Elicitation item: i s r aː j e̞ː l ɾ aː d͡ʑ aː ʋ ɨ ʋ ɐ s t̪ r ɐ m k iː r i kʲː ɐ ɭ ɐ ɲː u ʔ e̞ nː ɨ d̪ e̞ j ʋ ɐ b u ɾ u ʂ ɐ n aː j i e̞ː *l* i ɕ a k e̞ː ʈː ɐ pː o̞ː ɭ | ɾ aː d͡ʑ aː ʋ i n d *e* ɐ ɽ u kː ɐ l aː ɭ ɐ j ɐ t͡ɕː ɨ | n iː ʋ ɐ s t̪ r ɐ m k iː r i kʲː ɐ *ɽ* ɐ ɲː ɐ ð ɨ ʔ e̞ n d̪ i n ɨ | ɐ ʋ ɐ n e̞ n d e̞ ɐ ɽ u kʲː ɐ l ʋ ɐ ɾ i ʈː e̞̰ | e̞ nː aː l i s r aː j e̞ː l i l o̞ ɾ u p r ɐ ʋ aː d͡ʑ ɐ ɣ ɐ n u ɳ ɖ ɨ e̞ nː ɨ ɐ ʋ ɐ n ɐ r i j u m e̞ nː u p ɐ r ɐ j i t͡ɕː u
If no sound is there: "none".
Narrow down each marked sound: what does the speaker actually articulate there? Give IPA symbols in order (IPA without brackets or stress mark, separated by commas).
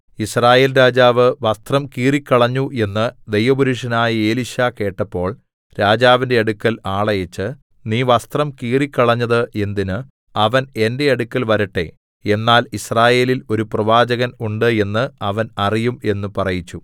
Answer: l, e, ɭ